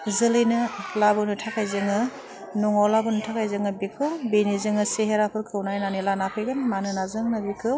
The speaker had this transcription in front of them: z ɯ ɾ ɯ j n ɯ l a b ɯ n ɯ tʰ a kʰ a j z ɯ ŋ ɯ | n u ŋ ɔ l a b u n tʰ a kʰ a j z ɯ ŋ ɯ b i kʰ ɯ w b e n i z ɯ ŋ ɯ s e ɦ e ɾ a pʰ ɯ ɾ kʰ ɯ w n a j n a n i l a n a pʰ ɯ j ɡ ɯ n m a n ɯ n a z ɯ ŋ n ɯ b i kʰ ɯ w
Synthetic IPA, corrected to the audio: z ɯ l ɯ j n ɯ l a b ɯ n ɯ tʰ a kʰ a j z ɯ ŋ ɯ | n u ŋ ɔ l a b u n tʰ a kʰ a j z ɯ ŋ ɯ b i kʰ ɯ w b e n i z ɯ ŋ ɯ s e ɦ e ɾ a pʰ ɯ ɾ kʰ ɯ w n a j n a n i l a n a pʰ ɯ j ɡ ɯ n m a n ɯ n a z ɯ ŋ n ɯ b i kʰ ɯ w